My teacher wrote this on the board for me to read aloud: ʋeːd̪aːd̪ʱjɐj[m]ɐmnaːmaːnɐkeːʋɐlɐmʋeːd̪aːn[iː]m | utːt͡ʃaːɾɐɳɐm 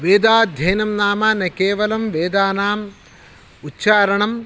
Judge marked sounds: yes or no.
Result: no, no

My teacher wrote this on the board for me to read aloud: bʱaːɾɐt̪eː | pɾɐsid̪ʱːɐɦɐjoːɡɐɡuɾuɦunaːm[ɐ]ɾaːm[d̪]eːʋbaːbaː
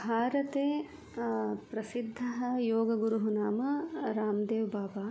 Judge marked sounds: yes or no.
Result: yes, yes

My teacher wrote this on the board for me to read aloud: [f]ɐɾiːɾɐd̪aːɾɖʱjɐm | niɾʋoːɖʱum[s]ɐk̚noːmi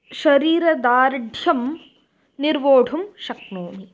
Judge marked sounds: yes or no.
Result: no, no

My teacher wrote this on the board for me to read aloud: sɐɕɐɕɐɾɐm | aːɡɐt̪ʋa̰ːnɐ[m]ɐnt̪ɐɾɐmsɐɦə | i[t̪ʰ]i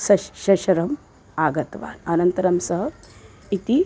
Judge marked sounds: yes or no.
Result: no, no

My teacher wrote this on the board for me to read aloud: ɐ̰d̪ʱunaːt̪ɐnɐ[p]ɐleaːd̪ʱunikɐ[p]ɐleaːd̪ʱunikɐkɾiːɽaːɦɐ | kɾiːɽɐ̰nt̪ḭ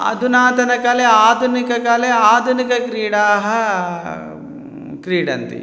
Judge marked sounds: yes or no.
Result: no, no

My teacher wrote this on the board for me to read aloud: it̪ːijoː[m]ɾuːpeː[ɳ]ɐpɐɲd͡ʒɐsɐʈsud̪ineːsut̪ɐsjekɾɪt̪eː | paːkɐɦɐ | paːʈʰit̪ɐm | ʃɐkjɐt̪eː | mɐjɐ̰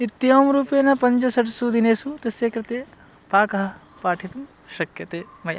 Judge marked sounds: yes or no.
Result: yes, no

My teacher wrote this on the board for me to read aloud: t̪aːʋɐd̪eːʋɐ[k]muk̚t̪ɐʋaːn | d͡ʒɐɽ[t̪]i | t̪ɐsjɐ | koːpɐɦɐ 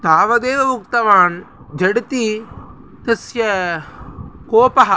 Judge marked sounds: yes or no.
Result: no, yes

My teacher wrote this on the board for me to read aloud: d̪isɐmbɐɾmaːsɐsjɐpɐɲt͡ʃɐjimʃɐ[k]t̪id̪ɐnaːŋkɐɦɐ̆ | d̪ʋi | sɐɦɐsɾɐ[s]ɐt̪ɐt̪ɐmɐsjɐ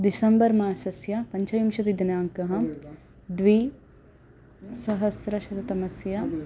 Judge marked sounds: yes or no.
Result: no, no

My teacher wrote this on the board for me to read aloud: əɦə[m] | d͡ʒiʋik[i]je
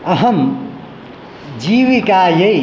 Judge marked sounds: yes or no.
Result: yes, no

